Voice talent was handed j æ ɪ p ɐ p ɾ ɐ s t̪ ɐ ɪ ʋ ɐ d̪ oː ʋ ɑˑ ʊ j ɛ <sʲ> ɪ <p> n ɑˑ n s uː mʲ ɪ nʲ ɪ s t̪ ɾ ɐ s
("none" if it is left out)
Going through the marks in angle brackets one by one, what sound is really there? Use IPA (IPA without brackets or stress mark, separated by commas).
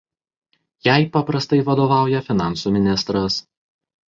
fʲ, none